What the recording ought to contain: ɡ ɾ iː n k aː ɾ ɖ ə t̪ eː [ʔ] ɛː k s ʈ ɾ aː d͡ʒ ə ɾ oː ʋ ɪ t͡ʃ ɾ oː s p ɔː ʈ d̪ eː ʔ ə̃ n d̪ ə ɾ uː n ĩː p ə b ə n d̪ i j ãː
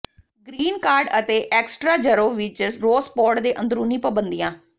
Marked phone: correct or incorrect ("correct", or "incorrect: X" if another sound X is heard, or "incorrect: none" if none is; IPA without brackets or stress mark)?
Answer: correct